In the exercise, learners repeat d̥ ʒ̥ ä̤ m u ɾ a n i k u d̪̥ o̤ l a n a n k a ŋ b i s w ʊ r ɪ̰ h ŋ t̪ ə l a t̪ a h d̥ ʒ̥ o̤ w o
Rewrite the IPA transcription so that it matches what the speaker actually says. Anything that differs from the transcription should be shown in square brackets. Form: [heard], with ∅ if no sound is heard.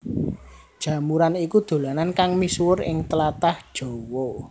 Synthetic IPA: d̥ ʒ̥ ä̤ m u ɾ a n i k u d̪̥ o̤ l a n a n k a ŋ [m] i s w ʊ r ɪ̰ [∅] ŋ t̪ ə l a t̪ a h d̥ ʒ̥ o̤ w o